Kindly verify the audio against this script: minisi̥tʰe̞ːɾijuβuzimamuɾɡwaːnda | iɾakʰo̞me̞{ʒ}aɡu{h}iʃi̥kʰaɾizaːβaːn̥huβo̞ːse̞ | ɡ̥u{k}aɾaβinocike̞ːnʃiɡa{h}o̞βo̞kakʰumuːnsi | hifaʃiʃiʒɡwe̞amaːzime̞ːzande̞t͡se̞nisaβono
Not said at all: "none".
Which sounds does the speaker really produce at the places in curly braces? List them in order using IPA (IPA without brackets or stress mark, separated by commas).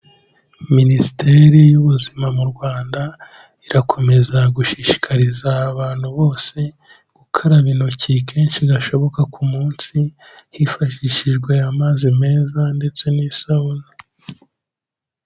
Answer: z, ʃ, kʰ, ʃ